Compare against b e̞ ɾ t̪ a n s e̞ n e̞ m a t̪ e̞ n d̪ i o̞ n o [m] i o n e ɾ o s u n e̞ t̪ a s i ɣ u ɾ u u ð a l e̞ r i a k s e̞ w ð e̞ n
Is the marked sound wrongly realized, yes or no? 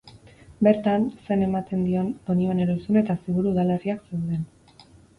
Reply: yes